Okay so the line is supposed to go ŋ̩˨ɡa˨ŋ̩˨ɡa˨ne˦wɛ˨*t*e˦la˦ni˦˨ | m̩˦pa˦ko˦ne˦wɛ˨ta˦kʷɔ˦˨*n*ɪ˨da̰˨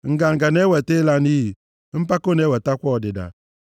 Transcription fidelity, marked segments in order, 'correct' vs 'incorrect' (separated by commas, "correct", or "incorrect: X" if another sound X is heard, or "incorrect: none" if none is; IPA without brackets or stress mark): correct, incorrect: d